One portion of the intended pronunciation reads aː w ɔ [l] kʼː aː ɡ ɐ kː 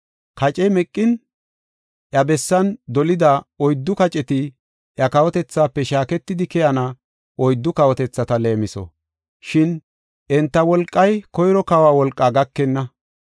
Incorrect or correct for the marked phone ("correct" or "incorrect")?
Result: correct